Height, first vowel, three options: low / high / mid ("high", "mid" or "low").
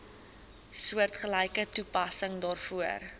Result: high